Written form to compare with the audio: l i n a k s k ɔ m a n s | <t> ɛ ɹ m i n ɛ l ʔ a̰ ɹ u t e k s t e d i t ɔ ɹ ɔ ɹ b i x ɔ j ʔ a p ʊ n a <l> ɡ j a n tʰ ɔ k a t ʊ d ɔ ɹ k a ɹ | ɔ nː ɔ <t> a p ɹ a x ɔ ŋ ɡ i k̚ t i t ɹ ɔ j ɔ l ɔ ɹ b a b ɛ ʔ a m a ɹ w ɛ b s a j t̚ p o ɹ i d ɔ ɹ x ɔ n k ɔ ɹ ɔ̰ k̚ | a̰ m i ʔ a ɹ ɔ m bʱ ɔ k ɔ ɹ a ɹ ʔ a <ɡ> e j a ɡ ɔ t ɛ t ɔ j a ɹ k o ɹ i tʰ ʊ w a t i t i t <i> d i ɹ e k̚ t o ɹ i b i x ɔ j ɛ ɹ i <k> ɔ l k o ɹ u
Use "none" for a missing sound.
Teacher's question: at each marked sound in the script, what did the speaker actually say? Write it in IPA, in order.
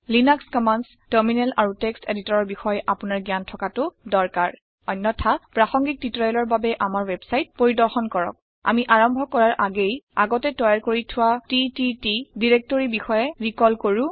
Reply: t, ɹ, tʰ, ɡ, i, k

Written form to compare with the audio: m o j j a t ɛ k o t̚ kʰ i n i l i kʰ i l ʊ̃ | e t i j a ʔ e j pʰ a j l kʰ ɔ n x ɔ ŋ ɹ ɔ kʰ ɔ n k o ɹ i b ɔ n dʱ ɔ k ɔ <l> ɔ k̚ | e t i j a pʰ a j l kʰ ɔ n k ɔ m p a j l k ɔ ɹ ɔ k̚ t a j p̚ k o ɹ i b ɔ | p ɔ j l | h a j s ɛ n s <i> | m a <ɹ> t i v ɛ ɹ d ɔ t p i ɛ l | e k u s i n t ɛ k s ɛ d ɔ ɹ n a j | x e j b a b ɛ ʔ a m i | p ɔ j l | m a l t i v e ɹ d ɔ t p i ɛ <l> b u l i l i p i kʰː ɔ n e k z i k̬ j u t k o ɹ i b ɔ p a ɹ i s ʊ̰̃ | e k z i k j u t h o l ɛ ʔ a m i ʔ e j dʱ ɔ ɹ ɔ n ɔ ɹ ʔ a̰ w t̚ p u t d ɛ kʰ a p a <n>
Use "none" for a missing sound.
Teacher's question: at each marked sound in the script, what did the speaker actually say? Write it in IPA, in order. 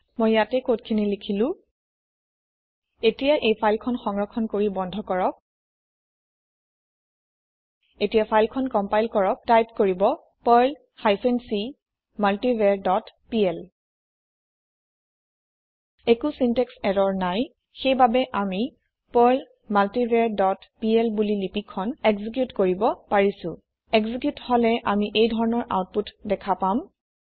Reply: ɹ, i, l, l, m

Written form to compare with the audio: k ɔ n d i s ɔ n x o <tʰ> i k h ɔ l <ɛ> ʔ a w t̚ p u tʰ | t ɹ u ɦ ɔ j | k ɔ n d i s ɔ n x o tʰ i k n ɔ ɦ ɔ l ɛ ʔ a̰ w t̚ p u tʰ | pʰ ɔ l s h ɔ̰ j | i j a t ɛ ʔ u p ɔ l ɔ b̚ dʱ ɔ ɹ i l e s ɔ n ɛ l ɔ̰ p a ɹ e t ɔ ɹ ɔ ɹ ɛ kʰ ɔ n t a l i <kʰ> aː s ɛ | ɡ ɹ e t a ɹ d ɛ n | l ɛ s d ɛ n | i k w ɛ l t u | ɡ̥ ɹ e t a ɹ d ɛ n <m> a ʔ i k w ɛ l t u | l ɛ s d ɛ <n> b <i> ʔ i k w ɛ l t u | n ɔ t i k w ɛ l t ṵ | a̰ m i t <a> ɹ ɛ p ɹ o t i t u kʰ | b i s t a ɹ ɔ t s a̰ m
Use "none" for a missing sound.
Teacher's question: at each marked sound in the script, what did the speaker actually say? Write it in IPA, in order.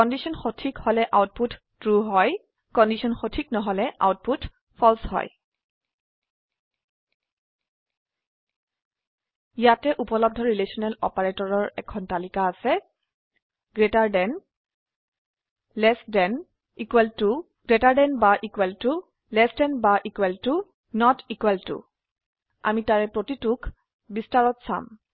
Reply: tʰ, ɛ, k, b, n, a, a

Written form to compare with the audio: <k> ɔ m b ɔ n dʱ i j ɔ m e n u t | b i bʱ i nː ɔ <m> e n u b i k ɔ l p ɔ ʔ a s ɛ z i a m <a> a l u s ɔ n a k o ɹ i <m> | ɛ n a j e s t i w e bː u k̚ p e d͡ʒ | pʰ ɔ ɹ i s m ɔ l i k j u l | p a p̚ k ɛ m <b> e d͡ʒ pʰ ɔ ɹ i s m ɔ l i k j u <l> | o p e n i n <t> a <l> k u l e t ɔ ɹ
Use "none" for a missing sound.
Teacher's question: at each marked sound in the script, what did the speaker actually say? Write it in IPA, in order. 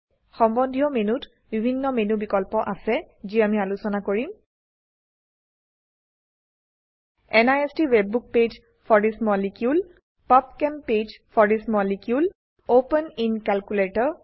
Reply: x, m, i, m, p, l, k, l

